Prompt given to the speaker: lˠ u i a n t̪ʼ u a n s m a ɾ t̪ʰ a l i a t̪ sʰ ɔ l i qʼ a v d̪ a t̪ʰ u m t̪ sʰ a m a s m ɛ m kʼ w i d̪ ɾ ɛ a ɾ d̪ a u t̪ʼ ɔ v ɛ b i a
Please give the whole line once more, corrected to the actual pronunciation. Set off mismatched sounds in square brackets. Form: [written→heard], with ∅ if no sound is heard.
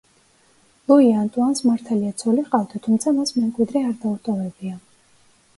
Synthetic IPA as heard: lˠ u i a n t̪ʼ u a n s m a ɾ t̪ʰ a l i a t̪ sʰ ɔ l i qʼ a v d̪ a t̪ʰ u m t̪ sʰ a m a s m ɛ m kʼ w i d̪ ɾ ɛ a ɾ d̪ a u t̪ʼ ɔ v ɛ b i a